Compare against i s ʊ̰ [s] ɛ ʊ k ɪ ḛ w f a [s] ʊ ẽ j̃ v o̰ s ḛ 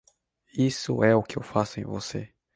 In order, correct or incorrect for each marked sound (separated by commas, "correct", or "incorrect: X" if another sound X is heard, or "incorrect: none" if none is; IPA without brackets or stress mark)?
incorrect: none, correct